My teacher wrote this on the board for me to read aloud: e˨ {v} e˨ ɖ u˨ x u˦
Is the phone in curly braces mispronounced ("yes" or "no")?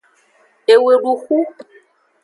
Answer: yes